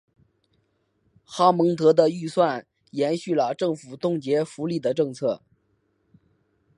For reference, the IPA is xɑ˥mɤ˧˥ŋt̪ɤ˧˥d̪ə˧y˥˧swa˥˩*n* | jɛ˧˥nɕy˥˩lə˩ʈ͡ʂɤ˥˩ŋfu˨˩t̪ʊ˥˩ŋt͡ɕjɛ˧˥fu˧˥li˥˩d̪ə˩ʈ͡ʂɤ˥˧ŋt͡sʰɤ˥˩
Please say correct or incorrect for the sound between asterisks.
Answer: correct